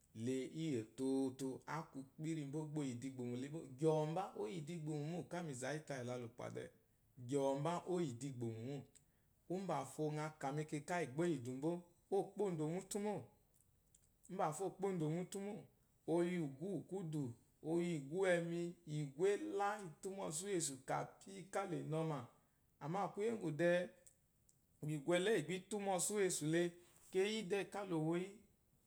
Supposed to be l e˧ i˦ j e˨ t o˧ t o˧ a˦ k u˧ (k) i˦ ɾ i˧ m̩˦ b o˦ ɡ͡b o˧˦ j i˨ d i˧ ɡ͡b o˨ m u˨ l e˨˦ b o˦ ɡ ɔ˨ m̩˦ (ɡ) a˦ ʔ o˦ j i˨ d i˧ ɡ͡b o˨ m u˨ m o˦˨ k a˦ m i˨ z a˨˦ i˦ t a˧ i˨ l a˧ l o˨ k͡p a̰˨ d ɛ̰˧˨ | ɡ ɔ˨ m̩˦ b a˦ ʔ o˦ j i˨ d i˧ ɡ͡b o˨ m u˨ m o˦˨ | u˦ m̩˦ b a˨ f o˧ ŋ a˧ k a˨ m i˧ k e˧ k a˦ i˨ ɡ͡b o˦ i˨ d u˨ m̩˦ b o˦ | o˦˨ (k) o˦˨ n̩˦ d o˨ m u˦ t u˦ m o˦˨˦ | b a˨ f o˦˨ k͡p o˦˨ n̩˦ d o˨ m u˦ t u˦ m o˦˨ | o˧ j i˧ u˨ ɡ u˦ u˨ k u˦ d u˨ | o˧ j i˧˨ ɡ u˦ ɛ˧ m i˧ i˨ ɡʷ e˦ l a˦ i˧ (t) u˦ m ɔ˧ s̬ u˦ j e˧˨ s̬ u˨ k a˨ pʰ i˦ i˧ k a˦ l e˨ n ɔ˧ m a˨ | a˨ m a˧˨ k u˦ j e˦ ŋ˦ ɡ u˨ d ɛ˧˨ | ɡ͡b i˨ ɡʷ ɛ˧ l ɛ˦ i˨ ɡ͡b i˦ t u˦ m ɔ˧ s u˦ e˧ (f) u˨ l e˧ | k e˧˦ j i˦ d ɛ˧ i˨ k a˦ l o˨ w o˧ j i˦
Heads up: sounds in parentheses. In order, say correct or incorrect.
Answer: incorrect: k͡p, incorrect: b, incorrect: k͡p, correct, incorrect: s

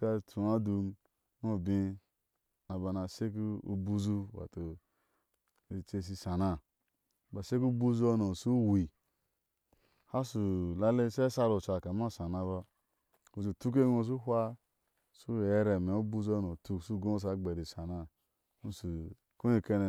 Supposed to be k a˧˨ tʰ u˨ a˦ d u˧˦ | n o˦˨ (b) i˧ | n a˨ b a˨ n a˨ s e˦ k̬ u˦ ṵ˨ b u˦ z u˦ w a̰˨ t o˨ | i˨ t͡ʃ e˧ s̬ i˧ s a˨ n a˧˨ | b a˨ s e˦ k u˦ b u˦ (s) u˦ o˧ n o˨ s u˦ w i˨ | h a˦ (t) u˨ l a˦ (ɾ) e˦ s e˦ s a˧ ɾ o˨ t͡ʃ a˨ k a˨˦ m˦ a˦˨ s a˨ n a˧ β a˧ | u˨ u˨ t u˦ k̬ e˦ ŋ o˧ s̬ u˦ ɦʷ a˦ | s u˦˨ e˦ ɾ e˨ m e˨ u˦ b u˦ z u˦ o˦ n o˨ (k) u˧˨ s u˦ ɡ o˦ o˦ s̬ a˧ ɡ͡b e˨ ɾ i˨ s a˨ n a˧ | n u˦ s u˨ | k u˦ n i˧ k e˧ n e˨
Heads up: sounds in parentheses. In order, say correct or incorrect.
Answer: correct, incorrect: z, incorrect: s, incorrect: l, incorrect: t

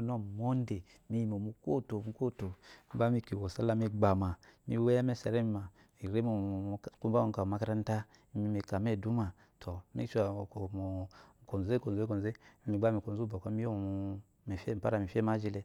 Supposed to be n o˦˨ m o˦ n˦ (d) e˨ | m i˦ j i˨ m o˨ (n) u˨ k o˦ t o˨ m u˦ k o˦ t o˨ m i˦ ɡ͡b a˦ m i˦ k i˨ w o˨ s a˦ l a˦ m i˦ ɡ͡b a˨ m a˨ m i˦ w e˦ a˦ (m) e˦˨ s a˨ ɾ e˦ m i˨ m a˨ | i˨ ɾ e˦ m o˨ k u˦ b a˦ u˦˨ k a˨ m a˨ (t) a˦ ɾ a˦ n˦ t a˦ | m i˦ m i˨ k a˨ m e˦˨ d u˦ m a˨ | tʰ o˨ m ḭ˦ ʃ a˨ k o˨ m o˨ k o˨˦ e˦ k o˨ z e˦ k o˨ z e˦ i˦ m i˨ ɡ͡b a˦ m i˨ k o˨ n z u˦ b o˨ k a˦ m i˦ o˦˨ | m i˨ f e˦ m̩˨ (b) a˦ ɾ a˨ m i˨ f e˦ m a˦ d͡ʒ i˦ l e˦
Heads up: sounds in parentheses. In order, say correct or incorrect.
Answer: correct, incorrect: m, correct, incorrect: k, incorrect: p

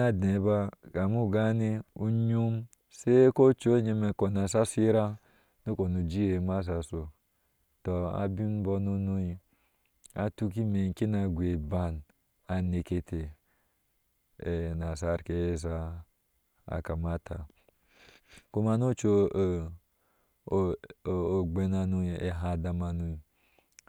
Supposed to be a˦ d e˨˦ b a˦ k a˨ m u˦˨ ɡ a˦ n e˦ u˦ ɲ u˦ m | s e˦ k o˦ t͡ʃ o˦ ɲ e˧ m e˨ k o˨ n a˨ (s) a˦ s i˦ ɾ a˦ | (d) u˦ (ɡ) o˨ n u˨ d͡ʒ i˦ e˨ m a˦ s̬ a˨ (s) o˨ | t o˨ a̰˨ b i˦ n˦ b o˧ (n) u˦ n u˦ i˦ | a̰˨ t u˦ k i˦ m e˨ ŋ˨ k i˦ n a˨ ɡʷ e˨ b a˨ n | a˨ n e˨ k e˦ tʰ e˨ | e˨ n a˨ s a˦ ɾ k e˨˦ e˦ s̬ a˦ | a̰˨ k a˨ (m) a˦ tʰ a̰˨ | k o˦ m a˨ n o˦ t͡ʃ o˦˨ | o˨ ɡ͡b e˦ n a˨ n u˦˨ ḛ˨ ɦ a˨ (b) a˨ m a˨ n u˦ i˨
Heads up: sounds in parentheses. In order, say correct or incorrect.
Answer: correct, incorrect: n, incorrect: k, correct, correct, correct, incorrect: d

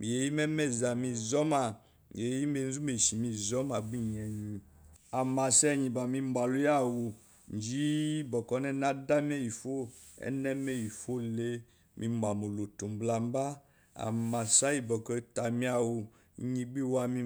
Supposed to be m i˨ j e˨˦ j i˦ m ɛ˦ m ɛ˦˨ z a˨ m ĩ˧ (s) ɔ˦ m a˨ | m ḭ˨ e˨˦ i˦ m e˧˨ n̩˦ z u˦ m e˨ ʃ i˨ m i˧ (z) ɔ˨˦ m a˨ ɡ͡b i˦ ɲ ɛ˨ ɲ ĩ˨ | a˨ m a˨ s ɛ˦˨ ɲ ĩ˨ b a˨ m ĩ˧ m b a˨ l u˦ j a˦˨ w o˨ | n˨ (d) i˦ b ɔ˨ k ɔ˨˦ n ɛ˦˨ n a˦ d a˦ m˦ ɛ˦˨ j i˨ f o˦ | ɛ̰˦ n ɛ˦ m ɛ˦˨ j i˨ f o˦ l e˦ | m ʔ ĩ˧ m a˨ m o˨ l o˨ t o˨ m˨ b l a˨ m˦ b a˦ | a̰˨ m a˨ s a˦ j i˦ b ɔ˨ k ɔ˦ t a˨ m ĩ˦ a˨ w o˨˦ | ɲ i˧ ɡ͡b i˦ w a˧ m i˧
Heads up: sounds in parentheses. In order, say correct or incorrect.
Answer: incorrect: z, correct, incorrect: d͡ʒ

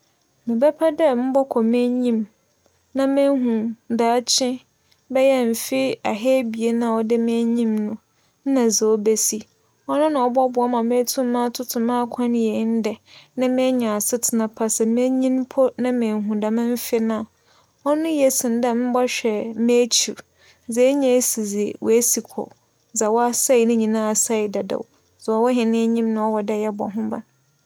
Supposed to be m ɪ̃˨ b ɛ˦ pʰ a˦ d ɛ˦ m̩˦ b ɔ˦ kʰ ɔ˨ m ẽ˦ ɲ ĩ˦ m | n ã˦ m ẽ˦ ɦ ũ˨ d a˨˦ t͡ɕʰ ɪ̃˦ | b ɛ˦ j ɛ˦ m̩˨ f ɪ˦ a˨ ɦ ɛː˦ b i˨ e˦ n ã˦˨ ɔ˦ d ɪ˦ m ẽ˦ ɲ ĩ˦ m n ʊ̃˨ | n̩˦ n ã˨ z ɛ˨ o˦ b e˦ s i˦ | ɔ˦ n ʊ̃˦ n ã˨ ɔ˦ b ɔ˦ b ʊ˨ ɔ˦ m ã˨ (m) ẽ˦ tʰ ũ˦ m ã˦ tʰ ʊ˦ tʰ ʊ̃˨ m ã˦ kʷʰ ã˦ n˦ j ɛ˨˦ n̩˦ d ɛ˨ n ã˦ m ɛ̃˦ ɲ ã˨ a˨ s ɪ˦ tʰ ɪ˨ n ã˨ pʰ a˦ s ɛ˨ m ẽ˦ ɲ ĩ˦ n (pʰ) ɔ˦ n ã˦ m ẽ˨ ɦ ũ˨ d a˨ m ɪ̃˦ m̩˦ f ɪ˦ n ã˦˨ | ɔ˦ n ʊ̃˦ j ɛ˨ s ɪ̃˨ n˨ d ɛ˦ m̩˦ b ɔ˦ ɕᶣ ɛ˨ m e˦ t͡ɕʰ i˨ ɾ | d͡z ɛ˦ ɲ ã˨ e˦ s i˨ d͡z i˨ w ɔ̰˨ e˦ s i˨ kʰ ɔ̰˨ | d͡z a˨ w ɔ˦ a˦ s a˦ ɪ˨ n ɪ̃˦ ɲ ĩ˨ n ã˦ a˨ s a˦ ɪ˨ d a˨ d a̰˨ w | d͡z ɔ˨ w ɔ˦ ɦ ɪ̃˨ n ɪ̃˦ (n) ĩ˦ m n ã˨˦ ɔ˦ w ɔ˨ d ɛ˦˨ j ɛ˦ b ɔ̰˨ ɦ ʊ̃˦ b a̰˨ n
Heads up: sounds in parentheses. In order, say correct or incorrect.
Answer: correct, correct, incorrect: ɲ

